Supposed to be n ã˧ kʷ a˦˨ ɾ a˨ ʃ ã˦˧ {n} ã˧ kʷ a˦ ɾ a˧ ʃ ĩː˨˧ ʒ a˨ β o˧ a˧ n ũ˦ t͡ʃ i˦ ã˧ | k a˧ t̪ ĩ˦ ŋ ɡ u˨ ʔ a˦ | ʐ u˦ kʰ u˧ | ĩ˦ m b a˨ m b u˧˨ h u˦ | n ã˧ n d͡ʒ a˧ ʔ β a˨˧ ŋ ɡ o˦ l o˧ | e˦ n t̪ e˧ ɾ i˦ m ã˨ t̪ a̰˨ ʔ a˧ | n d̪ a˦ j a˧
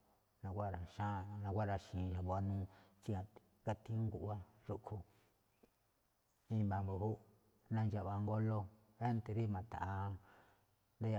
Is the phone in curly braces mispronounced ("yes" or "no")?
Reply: no